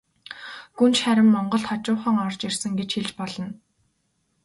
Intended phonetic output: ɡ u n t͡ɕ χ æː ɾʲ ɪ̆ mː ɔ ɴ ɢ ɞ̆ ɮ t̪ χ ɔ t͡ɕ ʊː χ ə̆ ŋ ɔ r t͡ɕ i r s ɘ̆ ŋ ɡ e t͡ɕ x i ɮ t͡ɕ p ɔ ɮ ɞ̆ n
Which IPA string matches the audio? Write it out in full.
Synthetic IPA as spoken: ɡ u n t͡ɕ χ æ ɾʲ ɪ̆ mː ɔ ɴ ɢ ɞ̆ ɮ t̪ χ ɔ t͡ɕ ʊː χ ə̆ ŋ ɔ r t͡ɕ i r s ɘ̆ ŋ ɡ e t͡ɕ x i ɮ t͡ɕ p ɔ ɮ ɞ̆ n